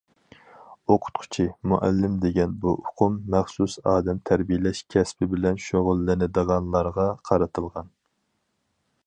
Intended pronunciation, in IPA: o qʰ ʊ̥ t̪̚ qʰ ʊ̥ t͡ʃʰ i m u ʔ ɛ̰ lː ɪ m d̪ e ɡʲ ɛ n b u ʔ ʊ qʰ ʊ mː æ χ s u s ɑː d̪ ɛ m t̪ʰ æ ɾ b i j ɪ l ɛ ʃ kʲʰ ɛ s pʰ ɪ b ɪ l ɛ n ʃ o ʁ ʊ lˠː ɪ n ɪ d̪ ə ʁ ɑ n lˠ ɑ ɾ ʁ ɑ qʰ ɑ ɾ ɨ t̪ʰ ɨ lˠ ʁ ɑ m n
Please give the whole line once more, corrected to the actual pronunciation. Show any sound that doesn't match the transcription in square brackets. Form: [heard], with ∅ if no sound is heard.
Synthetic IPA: o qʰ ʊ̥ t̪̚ qʰ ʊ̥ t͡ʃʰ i m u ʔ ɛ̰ lː ɪ m d̪ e ɡʲ ɛ n b u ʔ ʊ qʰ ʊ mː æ χ s u s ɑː d̪ ɛ m t̪ʰ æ ɾ b i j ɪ l ɛ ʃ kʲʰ ɛ s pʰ ɪ b ɪ l ɛ n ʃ o ʁ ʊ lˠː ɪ n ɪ d̪ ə ʁ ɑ n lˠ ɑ ɾ ʁ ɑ qʰ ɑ ɾ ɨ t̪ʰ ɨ lˠ ʁ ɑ [∅] n